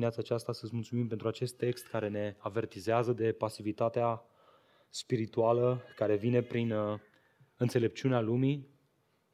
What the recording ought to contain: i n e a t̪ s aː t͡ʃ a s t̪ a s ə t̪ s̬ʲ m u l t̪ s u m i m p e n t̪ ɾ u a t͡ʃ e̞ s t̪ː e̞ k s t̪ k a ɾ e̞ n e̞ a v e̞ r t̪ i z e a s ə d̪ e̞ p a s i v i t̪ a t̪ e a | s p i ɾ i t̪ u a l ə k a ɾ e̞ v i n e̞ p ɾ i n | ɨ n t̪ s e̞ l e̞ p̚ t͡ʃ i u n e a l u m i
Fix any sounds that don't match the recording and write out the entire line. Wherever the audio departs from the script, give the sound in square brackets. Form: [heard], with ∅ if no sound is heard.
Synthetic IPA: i n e a t̪ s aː t͡ʃ a s t̪ a s ə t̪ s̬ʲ m u l t̪ s u m i m p e n t̪ ɾ u a t͡ʃ e̞ s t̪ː e̞ k s t̪ k a ɾ e̞ n e̞ a v e̞ r t̪ i z e a [z] ə d̪ e̞ p a s i v i t̪ a t̪ e a | s p i ɾ i t̪ u a l ə k a ɾ e̞ v i n e̞ p ɾ i n | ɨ n t̪ s e̞ l e̞ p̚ t͡ʃ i u n e a l u m i